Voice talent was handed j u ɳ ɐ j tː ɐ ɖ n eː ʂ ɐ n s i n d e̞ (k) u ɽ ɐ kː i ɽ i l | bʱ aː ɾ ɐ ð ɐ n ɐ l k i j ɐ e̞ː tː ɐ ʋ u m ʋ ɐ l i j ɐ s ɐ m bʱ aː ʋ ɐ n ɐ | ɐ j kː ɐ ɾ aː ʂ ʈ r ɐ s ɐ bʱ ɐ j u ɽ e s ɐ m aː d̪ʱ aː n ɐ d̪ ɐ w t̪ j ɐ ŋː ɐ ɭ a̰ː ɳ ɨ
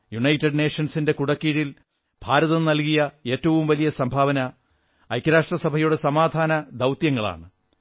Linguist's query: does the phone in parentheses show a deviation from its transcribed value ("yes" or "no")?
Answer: no